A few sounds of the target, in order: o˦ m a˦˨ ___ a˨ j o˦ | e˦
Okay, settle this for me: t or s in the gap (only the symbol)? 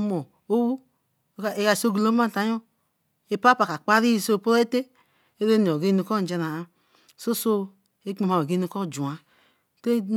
t